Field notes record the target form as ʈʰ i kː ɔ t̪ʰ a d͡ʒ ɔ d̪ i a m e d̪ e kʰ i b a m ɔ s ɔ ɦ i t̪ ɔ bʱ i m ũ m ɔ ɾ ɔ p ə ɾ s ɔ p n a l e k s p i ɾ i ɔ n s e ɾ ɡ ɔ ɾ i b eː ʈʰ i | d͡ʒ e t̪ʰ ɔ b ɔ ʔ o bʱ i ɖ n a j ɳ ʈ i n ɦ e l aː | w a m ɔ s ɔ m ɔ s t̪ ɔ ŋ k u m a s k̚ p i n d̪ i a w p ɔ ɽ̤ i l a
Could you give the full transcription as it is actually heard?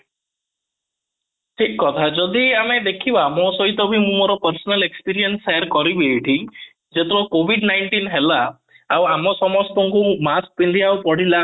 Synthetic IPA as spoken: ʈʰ i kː ɔ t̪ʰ a d͡ʒ ɔ d̪ i a m e d̪ e kʰ i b a m ɔ s ɔ ɦ i t̪ ɔ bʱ i m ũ m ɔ ɾ ɔ p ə ɾ s ɔ n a l e k s p i ɾ i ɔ n s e ɾ k ɔ ɾ i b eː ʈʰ i | d͡ʒ e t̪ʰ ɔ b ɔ k o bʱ i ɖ n a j ɳ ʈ i n ɦ e l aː | w a m ɔ s ɔ m ɔ s t̪ ɔ ŋ k u m a s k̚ p i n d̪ i a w p ɔ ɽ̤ i l a